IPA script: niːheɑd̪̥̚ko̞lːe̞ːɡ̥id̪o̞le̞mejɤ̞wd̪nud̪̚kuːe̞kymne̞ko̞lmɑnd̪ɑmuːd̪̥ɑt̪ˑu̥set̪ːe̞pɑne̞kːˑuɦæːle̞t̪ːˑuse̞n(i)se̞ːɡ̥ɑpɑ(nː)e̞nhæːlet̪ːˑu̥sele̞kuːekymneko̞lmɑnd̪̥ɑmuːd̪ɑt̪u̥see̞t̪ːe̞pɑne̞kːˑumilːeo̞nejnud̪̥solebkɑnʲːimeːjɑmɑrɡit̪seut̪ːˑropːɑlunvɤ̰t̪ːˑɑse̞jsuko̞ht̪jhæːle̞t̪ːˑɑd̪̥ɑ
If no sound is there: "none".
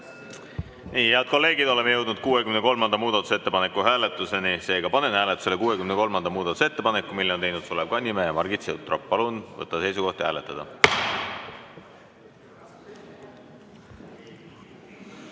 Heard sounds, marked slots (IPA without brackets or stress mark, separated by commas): i, n